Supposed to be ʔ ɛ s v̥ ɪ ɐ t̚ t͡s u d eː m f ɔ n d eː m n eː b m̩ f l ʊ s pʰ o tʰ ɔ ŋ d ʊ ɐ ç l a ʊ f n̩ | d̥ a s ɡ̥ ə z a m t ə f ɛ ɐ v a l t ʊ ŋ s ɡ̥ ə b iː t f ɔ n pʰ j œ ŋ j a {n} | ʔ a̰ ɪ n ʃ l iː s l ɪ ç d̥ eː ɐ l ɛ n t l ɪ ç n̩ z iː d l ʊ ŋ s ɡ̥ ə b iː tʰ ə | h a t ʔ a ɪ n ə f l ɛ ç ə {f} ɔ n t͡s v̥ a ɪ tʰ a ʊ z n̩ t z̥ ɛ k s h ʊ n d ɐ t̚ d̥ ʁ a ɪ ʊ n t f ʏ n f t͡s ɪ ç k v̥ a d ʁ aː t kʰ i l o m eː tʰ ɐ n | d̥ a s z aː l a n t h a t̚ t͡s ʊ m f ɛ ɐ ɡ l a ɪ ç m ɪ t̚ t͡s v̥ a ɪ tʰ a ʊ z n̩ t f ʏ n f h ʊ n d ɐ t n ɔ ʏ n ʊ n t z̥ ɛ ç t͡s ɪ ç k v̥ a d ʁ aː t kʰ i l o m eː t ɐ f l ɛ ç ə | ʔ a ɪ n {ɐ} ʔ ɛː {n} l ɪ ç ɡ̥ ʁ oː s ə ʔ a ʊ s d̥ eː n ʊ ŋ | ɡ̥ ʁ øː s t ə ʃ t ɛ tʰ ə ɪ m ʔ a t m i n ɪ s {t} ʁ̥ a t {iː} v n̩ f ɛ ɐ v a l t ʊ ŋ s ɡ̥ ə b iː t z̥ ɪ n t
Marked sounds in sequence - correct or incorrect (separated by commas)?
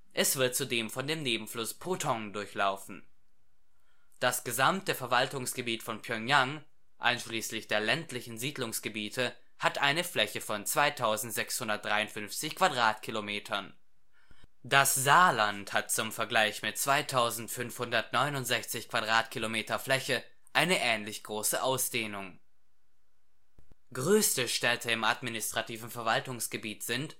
incorrect, correct, incorrect, correct, correct, correct